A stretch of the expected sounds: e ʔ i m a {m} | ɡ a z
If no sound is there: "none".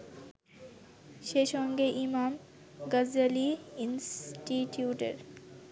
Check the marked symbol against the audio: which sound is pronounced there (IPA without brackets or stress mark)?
m